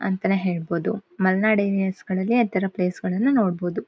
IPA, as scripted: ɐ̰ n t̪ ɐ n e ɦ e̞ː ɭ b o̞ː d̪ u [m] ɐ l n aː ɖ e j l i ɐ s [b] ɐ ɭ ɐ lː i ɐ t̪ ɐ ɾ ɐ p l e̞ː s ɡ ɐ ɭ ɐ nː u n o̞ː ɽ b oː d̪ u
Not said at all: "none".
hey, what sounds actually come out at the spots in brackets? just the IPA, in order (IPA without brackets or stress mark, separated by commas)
m, ɡ